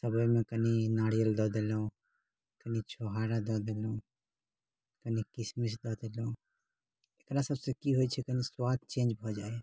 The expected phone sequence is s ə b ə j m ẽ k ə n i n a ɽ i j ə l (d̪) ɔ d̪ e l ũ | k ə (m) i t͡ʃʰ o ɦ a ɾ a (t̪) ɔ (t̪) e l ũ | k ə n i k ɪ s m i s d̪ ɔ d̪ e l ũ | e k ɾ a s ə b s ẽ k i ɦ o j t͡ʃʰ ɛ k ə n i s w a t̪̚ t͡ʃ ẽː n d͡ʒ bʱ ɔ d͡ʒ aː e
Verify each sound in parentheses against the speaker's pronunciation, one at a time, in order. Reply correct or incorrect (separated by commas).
correct, incorrect, incorrect, incorrect